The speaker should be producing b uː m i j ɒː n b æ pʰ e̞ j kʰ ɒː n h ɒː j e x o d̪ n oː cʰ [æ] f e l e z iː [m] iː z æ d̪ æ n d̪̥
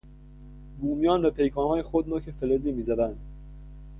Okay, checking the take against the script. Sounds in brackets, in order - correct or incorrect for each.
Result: incorrect: e, correct

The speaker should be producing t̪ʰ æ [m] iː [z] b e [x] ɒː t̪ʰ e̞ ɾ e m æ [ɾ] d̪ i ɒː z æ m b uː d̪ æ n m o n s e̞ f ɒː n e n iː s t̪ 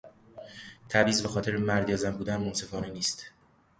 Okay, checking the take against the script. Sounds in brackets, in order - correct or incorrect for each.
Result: incorrect: b, correct, correct, correct

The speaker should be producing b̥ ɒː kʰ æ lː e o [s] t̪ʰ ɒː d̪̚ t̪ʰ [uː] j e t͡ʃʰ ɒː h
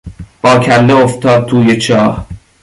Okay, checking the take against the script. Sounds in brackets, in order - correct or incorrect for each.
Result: incorrect: f, correct

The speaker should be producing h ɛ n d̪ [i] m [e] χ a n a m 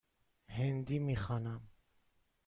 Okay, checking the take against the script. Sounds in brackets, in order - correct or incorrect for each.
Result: correct, incorrect: i

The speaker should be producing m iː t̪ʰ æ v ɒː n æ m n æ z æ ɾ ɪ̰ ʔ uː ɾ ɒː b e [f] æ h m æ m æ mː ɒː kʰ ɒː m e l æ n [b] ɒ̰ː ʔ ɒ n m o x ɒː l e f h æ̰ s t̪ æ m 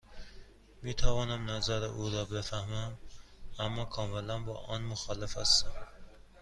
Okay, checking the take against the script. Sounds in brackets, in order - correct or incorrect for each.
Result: correct, correct

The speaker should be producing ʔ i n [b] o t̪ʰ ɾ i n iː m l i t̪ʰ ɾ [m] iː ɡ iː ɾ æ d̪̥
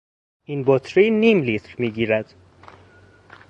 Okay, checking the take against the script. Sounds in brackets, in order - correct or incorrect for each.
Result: correct, correct

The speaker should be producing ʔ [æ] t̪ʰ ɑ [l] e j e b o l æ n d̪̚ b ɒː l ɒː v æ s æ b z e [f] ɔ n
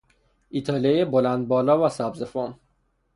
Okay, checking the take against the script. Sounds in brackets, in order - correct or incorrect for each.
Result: incorrect: i, correct, correct

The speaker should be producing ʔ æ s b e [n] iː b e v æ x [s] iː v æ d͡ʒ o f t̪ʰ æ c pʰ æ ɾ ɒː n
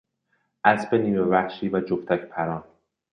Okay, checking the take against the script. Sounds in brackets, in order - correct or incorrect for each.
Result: correct, incorrect: ʃ

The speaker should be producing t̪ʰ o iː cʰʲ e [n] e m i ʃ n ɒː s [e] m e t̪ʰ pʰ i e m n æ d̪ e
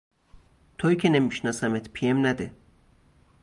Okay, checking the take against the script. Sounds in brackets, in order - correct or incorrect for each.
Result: correct, incorrect: æ

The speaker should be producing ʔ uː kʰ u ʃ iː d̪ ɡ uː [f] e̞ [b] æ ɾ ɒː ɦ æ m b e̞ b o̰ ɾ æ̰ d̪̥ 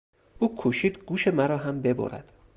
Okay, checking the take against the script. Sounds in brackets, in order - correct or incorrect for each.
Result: incorrect: ʃ, incorrect: m

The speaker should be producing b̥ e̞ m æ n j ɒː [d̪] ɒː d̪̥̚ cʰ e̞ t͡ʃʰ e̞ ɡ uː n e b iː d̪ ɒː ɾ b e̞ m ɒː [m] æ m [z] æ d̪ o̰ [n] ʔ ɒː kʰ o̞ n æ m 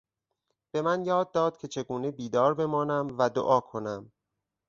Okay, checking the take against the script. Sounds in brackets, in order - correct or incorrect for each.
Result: incorrect: d̪ː, incorrect: n, incorrect: v, incorrect: none

